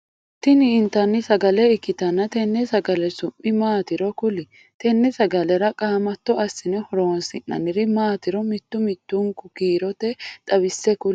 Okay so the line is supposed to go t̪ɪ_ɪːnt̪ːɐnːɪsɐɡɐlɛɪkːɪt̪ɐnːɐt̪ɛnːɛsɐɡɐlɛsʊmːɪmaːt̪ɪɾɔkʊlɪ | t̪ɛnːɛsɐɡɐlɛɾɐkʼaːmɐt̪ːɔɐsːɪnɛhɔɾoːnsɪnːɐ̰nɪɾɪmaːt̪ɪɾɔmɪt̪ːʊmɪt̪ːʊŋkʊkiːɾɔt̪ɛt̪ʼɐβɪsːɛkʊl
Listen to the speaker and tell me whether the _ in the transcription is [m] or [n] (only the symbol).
n